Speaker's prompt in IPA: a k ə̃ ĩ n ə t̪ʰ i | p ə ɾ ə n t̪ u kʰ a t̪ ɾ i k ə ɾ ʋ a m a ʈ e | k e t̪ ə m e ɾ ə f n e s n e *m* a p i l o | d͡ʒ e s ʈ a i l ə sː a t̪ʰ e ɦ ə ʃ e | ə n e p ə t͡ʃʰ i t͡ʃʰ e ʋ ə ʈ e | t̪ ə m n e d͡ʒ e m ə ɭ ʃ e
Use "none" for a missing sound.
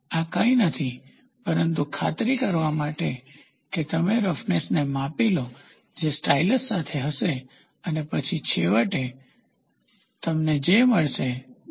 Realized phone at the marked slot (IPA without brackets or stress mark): m